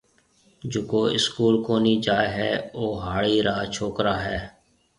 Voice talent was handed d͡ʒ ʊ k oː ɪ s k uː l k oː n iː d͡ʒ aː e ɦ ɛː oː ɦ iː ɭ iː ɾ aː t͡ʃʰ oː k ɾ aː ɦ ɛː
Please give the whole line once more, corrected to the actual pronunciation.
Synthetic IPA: d͡ʒ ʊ k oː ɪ s k uː l k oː n iː d͡ʒ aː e ɦ ɛː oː ɦ aː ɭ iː ɾ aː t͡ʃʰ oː k ɾ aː ɦ ɛː